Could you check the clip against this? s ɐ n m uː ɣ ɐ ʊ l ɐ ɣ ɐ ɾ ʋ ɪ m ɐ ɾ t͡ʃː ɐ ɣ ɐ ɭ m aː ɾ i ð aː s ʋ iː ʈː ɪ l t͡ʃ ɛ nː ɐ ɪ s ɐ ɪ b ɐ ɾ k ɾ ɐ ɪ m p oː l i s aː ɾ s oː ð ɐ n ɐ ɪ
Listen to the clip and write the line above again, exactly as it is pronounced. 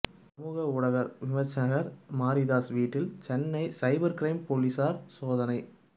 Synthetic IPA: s ɐ m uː ɣ ɐ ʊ ɽ ɐ ɣ ɐ ɾ ʋ ɪ m ɐ ɾ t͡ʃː ɐ ɣ ɐ ɾ m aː ɾ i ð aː s ʋ iː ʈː ɪ l t͡ʃ ɛ nː ɐ ɪ s ɐ ɪ b ɐ ɾ k ɾ ɐ ɪ m p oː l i s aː ɾ s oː ð ɐ n ɐ ɪ